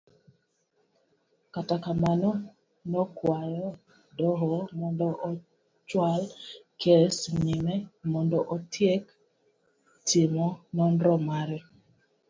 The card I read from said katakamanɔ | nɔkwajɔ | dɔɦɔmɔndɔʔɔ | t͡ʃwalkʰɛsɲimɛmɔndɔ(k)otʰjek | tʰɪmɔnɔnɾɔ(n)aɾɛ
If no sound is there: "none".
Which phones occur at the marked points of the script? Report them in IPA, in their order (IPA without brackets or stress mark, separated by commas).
ʔ, m